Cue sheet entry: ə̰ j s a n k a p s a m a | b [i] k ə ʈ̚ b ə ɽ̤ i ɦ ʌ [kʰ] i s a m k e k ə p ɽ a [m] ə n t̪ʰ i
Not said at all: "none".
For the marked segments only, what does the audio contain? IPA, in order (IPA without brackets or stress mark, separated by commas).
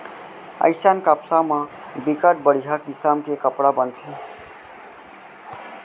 i, k, b